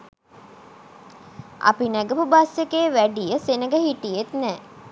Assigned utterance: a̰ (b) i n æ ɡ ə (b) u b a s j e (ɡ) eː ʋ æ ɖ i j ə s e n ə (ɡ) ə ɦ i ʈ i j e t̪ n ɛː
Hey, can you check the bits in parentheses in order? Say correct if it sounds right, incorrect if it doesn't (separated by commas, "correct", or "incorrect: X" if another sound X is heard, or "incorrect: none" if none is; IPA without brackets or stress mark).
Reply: incorrect: p, incorrect: p, incorrect: k, correct